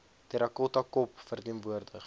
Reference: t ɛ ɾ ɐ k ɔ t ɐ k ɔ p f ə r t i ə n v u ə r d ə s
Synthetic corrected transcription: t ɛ ɾ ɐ k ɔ t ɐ k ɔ p f ə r t i ə n v u ə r d ə χ